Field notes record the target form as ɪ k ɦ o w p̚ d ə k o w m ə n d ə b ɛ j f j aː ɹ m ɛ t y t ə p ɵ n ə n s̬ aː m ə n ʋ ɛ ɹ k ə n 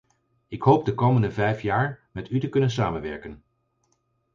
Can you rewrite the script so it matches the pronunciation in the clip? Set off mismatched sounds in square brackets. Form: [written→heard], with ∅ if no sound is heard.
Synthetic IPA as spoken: ɪ k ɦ o w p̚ d ə k o w m ə n d ə [b→v] ɛ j f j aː ɹ m ɛ t y t ə [p→k] ɵ n ə n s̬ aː m ə n ʋ ɛ ɹ k ə n